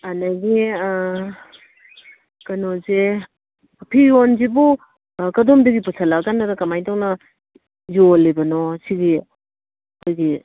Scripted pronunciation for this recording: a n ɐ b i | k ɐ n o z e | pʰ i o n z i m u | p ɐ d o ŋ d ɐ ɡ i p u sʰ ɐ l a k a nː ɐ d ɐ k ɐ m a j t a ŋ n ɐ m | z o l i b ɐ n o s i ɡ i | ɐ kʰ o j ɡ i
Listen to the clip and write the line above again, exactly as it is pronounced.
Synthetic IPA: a n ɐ ɡ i | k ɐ n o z e | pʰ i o n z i b u | k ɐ d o m d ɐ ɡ i p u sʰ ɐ l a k a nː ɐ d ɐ k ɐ m a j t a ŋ n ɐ | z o l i b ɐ n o s i ɡ i | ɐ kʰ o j ɡ i